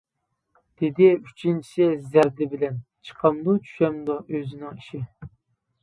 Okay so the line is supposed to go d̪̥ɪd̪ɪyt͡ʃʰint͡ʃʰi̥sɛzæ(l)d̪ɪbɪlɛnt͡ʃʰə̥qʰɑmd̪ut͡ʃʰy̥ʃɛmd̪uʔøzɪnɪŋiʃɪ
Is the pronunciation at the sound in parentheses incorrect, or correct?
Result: incorrect